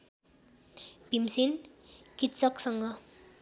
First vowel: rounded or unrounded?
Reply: unrounded